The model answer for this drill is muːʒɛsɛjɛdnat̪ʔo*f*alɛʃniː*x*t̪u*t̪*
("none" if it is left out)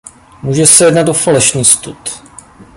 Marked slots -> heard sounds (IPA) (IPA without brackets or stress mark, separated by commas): f, s, t̪